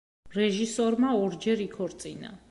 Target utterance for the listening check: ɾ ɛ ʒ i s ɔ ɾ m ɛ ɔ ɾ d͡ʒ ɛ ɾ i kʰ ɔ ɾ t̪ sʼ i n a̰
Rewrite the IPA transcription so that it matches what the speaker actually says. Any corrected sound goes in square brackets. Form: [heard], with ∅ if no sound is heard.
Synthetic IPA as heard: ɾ ɛ ʒ i s ɔ ɾ m [a] ɔ ɾ d͡ʒ ɛ ɾ i kʰ ɔ ɾ t̪ sʼ i n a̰